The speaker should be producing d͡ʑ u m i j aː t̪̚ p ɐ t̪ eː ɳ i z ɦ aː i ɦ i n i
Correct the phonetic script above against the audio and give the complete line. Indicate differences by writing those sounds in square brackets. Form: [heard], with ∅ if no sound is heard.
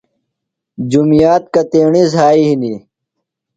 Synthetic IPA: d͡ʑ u m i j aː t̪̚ [k] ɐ t̪ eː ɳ i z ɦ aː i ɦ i n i